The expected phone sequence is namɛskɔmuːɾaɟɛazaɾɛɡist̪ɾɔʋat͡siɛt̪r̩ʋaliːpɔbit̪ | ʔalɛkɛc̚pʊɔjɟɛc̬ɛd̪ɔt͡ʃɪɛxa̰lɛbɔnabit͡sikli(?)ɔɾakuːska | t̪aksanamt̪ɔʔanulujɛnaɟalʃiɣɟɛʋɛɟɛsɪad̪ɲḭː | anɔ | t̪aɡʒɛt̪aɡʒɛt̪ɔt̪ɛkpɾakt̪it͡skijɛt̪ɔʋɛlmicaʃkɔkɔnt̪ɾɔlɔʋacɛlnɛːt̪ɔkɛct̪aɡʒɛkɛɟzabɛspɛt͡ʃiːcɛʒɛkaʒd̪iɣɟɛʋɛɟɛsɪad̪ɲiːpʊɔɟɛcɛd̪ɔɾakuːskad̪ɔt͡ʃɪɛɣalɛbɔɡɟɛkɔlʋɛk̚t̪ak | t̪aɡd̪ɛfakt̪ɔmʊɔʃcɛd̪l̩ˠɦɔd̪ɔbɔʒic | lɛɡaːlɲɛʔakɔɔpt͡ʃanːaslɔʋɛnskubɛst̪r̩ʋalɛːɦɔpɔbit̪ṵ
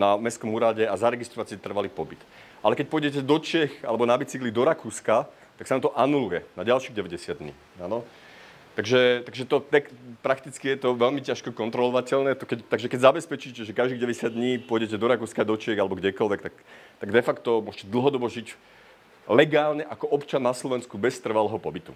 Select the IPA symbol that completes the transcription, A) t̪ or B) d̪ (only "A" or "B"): B